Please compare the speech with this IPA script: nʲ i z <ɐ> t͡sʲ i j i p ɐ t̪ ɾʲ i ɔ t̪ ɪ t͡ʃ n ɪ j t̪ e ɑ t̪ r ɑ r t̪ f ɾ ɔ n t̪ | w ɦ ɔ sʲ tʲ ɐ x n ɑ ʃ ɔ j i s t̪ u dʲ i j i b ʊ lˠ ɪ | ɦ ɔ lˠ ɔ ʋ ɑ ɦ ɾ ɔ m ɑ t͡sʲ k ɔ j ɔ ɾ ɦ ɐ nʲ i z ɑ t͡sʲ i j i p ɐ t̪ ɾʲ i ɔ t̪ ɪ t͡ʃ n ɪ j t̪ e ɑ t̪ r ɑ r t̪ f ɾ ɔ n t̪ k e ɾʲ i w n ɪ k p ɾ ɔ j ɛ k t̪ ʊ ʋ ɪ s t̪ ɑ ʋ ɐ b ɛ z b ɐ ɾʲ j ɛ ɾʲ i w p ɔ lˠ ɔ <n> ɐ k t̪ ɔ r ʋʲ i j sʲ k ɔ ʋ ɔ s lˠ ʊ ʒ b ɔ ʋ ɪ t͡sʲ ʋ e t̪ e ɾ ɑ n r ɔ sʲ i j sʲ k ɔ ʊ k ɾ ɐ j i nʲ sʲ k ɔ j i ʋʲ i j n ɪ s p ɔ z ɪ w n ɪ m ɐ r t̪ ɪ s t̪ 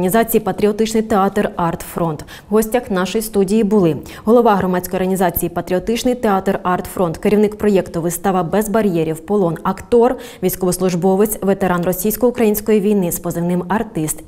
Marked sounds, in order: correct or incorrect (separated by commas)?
incorrect, correct